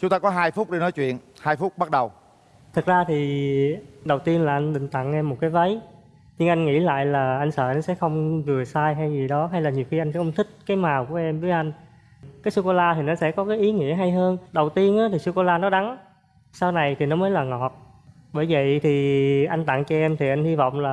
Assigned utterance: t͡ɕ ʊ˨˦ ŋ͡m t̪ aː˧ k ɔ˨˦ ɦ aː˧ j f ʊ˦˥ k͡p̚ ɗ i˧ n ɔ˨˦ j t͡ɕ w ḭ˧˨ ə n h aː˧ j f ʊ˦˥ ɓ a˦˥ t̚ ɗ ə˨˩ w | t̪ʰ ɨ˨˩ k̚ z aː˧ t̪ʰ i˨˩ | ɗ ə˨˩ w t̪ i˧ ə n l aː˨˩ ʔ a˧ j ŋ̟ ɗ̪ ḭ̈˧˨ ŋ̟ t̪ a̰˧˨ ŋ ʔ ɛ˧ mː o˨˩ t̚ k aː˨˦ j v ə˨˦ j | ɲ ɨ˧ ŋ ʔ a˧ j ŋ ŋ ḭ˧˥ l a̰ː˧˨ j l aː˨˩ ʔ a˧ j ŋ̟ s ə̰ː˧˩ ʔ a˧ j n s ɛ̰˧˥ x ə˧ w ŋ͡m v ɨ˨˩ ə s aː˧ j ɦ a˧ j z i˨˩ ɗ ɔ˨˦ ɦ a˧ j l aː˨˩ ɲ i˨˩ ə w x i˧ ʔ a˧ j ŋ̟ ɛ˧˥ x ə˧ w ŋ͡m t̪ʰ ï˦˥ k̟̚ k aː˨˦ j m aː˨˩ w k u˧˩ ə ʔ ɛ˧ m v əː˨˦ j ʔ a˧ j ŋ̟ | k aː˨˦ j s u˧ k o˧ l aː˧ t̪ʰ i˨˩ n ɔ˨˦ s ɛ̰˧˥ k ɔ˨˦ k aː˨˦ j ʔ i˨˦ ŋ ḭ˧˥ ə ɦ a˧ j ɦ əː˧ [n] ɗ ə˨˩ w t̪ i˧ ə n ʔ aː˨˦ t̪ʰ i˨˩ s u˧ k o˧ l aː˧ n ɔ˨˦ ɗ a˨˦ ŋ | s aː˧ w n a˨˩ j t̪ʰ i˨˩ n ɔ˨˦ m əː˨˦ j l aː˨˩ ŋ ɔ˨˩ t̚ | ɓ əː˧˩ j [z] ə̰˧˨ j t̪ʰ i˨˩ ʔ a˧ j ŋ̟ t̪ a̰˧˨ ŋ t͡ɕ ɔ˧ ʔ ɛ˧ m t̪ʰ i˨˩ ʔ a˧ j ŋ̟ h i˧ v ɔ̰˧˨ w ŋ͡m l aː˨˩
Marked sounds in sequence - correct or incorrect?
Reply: correct, incorrect: v

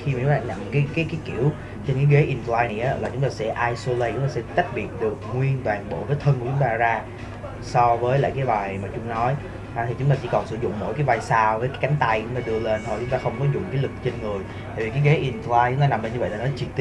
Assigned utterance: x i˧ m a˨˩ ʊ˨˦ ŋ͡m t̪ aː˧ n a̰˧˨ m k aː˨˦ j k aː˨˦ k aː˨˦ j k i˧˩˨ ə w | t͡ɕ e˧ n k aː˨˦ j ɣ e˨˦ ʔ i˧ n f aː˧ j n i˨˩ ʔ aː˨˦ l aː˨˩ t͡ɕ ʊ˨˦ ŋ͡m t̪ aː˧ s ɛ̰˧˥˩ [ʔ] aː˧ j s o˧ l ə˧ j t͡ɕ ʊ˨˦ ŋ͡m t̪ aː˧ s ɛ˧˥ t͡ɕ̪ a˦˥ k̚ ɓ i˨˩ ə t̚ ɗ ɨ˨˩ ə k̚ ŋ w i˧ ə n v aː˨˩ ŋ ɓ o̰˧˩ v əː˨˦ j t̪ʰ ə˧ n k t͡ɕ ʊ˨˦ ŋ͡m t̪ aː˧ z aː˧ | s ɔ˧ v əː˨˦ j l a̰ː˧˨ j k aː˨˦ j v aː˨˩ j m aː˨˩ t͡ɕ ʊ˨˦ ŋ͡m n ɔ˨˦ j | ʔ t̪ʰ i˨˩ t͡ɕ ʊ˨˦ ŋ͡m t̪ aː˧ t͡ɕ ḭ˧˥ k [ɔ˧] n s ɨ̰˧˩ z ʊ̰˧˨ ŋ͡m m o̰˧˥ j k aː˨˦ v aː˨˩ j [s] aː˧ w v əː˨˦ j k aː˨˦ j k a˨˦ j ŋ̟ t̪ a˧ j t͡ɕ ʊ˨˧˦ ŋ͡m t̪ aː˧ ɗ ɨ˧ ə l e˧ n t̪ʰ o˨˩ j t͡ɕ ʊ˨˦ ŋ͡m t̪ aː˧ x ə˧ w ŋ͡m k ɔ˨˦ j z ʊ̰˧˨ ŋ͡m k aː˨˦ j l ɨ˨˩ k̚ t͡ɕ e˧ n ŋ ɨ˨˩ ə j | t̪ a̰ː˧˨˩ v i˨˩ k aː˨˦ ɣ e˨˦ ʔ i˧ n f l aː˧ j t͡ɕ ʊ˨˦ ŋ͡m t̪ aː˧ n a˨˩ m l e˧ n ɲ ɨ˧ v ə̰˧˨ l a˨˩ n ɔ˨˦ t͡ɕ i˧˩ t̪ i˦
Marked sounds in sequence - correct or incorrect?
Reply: correct, incorrect: ɔ˨˩, correct

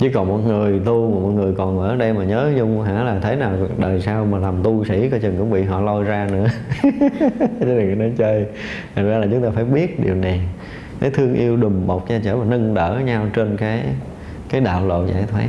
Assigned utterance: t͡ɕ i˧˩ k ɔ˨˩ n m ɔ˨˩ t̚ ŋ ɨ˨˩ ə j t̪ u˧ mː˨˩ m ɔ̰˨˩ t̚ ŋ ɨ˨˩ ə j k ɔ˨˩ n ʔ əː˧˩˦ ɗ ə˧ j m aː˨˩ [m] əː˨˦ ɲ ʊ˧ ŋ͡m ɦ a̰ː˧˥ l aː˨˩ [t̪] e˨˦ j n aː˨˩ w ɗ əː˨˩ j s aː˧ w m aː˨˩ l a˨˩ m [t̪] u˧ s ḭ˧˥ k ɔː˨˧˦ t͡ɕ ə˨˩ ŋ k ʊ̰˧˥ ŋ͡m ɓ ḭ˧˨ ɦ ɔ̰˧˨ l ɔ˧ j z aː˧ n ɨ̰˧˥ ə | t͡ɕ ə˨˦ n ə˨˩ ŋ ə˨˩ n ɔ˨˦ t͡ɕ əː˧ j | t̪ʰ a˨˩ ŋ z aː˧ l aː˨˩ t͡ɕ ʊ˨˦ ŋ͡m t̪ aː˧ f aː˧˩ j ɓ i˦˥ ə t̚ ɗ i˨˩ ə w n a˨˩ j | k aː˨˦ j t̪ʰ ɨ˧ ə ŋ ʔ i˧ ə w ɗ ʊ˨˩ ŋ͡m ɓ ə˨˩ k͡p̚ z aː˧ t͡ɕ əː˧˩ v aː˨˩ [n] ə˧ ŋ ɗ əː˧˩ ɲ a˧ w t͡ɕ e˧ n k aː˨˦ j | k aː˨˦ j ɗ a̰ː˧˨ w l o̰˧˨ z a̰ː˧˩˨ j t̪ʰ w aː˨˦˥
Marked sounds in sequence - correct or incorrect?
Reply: incorrect: ɲ, incorrect: t̪ʰ, correct, correct

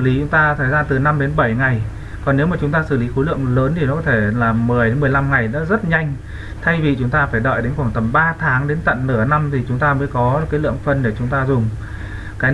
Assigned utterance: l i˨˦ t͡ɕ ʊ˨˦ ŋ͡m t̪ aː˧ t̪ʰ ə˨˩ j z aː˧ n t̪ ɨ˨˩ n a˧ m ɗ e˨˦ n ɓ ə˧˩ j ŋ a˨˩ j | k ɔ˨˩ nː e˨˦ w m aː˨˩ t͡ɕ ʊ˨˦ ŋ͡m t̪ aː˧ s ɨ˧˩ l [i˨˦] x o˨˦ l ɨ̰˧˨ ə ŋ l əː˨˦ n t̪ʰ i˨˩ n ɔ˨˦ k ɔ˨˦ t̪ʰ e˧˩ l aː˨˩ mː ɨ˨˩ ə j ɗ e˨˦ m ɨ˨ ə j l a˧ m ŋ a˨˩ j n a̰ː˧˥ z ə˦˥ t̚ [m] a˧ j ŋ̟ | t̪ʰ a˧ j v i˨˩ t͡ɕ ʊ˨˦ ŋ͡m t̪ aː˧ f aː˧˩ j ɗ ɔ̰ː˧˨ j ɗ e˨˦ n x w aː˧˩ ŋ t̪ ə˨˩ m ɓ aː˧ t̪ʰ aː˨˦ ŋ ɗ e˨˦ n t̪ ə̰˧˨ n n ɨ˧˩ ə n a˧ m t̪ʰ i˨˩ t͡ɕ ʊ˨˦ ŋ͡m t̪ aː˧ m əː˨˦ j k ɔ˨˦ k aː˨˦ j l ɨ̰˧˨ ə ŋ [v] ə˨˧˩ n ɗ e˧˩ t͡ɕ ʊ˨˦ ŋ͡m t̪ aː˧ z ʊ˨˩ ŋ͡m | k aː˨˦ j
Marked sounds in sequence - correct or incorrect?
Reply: correct, incorrect: ɲ, incorrect: f

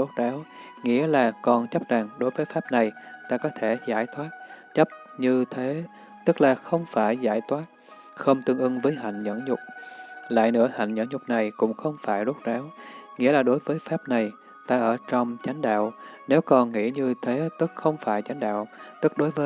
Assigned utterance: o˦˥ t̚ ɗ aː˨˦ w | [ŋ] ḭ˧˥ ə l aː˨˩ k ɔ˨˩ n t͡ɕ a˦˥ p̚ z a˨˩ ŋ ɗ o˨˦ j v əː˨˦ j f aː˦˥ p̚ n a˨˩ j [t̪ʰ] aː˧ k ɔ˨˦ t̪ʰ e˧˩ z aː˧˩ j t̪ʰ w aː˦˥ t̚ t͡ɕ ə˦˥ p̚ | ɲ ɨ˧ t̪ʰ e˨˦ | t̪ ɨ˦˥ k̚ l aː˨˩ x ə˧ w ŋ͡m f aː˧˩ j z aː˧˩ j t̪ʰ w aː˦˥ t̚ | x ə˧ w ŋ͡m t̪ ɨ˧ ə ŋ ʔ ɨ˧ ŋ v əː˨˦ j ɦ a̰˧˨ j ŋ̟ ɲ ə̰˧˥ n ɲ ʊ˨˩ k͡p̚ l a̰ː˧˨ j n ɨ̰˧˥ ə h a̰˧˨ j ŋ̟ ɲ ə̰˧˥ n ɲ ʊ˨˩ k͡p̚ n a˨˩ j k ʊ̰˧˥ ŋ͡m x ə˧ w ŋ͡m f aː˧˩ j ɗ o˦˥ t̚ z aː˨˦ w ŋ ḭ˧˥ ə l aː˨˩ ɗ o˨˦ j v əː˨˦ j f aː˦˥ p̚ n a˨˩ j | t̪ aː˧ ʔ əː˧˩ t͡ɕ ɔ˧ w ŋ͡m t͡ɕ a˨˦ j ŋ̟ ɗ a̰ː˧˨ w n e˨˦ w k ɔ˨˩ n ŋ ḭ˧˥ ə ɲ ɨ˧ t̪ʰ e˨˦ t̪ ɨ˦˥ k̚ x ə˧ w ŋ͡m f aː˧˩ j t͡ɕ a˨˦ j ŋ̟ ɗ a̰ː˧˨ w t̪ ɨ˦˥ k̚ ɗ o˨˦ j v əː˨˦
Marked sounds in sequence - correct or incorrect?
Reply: correct, incorrect: t̪

